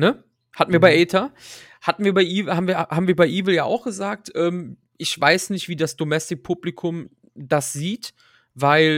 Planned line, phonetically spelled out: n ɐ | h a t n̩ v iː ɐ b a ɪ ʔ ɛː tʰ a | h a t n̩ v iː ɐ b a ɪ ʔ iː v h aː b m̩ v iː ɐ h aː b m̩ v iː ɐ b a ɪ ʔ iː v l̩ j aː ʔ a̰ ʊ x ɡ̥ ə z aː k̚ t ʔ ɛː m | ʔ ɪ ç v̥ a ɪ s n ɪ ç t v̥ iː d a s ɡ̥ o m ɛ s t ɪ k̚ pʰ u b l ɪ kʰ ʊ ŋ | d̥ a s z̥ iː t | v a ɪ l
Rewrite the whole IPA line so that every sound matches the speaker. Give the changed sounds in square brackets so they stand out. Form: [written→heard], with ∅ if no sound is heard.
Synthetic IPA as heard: n [ɐ→ə] | h a t n̩ v iː ɐ b a ɪ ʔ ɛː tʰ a | h a t n̩ v iː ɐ b a ɪ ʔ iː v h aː b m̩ v iː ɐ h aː b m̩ v iː ɐ b a ɪ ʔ iː v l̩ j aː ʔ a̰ ʊ x ɡ̥ ə z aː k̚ t ʔ ɛː m | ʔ ɪ ç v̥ a ɪ s n ɪ ç t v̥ iː d a s [ɡ̥→d̥] o m ɛ s t ɪ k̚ pʰ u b l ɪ kʰ ʊ [ŋ→m] | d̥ a s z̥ iː t | v a ɪ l